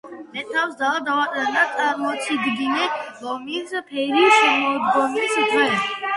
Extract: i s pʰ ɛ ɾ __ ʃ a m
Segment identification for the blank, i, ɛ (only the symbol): i